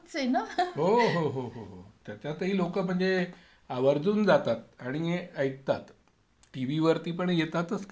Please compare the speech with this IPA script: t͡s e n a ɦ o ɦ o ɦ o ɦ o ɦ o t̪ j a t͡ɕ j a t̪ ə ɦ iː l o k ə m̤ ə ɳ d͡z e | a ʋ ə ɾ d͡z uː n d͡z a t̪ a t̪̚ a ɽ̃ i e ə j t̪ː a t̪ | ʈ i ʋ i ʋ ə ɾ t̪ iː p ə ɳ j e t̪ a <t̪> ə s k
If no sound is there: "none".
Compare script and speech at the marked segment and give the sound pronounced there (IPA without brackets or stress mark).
t̪